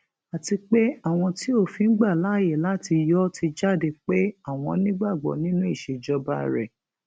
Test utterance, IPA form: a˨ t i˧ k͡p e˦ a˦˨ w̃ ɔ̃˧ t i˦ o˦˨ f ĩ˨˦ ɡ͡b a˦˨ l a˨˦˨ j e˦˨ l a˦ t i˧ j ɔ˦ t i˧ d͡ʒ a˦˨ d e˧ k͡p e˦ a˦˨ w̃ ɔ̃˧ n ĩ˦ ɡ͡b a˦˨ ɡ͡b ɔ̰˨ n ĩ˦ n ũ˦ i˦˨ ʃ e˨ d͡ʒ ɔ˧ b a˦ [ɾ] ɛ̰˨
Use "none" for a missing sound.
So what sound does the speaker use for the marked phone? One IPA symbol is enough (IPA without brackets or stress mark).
ɾ